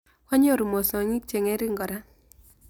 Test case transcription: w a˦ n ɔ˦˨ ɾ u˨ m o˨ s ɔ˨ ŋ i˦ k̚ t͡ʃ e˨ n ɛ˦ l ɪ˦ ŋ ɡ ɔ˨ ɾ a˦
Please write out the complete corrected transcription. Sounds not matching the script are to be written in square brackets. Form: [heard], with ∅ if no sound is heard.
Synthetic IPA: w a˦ [ɲ] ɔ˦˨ ɾ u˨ m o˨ s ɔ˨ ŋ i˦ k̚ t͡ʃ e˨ [ŋ] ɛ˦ [ɾ] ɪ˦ ŋ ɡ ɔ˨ ɾ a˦